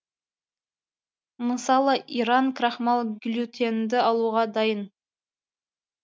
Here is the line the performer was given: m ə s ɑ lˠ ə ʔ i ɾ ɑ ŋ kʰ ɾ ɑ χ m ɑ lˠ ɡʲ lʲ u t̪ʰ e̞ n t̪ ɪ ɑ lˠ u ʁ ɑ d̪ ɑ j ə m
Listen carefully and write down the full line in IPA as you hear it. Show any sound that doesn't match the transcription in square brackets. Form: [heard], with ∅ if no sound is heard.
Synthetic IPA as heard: m ə s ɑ lˠ ə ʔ i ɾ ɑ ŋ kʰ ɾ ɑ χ m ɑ lˠ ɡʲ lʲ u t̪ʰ e̞ n [d̪] ɪ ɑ lˠ u ʁ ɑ d̪ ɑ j ə [n]